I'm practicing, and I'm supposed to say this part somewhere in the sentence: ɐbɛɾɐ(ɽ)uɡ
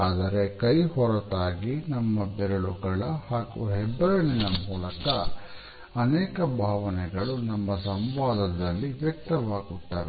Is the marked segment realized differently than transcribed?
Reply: yes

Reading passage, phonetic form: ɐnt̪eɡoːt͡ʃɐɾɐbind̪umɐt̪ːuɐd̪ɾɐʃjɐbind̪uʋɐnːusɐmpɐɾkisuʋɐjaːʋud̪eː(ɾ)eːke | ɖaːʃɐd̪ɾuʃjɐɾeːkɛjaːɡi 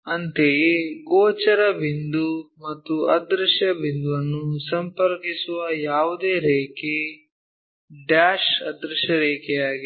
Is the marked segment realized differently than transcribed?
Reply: no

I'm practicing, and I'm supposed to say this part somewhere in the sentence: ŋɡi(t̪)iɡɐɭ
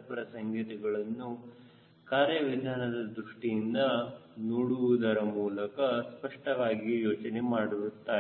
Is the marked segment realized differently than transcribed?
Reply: no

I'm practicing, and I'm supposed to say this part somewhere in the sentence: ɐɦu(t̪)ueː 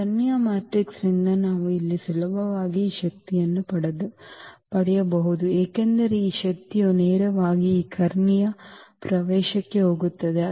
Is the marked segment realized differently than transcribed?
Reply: yes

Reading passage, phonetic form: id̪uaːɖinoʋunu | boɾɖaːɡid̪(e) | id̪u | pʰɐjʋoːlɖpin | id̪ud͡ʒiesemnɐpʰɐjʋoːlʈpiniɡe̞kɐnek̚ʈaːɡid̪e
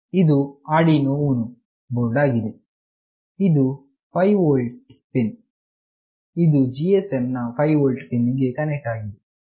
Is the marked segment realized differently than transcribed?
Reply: no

